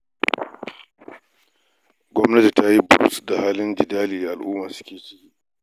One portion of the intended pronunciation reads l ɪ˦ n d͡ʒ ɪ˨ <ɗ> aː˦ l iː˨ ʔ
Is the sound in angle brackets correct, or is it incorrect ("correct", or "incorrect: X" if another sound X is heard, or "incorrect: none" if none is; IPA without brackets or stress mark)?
incorrect: d